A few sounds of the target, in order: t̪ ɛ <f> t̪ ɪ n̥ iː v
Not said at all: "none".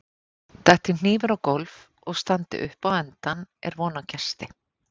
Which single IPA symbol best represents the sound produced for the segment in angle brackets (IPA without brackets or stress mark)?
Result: h